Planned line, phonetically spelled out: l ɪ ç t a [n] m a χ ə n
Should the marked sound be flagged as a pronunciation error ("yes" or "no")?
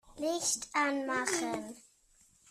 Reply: no